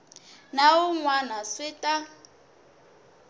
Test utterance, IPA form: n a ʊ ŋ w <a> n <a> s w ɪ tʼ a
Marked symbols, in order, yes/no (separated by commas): yes, yes